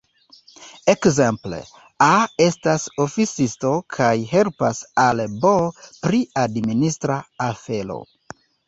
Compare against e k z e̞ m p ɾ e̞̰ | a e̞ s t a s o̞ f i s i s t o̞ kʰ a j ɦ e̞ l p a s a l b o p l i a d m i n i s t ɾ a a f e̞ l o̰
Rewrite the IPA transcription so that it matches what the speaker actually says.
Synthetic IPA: e k z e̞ m p l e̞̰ | a e̞ s t a s o̞ f i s i s t o̞ kʰ a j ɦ e̞ l p a s a l b o p ɾ i a d m i n i s t ɾ a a f e̞ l o̰